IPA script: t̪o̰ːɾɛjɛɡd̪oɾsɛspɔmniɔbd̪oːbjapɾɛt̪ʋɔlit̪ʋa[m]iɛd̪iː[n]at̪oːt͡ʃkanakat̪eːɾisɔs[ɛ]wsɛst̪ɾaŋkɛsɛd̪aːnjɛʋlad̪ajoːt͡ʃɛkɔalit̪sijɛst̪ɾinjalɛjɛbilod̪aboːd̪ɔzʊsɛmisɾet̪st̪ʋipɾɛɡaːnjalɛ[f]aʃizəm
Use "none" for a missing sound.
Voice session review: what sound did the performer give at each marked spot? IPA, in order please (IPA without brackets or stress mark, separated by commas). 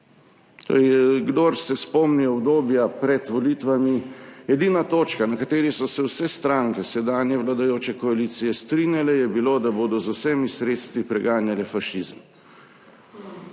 m, n, ɛ, f